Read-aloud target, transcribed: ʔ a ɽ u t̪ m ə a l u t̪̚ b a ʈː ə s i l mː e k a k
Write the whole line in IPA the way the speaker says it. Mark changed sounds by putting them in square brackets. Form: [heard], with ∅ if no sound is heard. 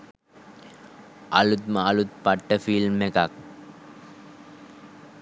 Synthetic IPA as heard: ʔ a [l] u t̪ m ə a l u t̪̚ [p] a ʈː ə [f] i l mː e k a k